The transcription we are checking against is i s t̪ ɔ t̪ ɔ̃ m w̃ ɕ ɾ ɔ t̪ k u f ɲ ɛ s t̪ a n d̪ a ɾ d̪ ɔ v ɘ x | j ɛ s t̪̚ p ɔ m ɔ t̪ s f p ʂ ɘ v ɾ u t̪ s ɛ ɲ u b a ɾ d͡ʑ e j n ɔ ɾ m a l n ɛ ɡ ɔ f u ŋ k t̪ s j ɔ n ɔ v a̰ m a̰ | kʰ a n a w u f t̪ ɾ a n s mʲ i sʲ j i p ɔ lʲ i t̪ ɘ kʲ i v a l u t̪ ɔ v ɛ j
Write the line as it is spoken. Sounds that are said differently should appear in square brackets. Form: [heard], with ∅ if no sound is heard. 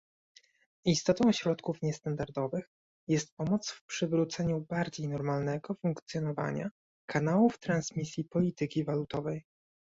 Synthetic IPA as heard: i s t̪ ɔ t̪ ɔ̃ [∅] w̃ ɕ ɾ ɔ t̪ k u f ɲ ɛ s t̪ a n d̪ a ɾ d̪ ɔ v ɘ x | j ɛ s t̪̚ p ɔ m ɔ t̪ s f p ʂ ɘ v ɾ u t̪ s ɛ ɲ u b a ɾ d͡ʑ e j n ɔ ɾ m a l n ɛ ɡ ɔ f u ŋ k t̪ s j ɔ n ɔ v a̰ [ɲ] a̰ | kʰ a n a w u f t̪ ɾ a n s mʲ i sʲ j i p ɔ lʲ i t̪ ɘ kʲ i v a l u t̪ ɔ v ɛ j